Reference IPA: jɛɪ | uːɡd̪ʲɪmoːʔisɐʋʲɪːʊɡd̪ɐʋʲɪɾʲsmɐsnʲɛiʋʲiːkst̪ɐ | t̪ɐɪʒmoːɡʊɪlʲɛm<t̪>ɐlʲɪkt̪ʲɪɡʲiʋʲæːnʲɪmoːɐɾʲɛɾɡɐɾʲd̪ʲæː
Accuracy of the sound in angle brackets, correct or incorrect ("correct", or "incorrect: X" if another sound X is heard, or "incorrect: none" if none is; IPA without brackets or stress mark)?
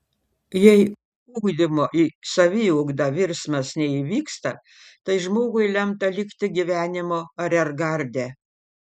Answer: correct